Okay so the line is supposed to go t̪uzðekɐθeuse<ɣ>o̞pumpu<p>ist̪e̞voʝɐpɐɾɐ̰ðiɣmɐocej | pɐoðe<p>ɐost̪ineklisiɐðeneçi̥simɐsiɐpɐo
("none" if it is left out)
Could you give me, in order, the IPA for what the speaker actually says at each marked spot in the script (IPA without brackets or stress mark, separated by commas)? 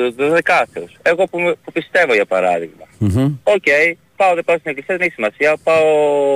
ɣ, p, p